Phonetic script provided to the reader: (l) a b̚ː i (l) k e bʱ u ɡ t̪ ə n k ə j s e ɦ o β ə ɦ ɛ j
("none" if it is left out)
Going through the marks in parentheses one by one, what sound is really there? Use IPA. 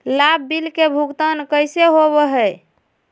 l, l

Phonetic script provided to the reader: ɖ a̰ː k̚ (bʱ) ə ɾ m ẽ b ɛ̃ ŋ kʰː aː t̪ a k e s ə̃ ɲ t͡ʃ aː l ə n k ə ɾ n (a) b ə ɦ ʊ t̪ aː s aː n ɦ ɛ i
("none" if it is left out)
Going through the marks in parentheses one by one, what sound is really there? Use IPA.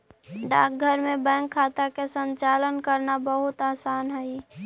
ɡʱ, a

